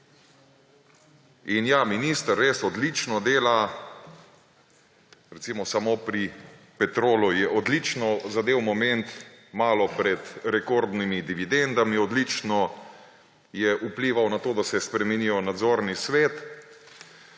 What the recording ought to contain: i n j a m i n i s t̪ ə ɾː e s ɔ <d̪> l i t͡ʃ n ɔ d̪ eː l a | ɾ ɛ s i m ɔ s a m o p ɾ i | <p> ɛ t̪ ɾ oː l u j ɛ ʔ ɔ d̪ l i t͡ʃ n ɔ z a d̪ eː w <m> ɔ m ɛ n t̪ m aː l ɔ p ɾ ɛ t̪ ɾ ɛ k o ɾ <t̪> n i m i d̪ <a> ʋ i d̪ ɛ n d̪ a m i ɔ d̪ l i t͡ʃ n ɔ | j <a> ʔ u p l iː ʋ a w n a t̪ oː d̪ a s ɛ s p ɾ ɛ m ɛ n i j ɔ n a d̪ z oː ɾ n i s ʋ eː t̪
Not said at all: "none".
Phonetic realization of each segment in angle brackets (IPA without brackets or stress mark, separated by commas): d̪, p, m, d̪, i, ɛ